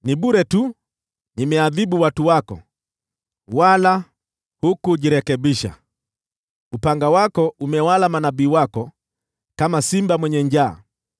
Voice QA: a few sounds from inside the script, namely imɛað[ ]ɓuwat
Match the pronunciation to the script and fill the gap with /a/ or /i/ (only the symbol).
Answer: i